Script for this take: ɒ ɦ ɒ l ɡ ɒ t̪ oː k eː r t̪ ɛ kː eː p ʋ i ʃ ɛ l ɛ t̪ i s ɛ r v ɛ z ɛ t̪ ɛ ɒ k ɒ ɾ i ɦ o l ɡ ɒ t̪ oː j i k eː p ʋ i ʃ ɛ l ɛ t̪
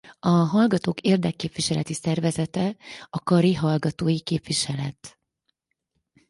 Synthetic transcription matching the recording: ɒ ɦ ɒ l ɡ ɒ t̪ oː k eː r d̪ ɛ kː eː p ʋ i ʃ ɛ l ɛ t̪ i s ɛ r v ɛ z ɛ t̪ ɛ ɒ k ɒ ɾ i ɦ ɒ l ɡ ɒ t̪ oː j i k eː p ʋ i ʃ ɛ l ɛ t̪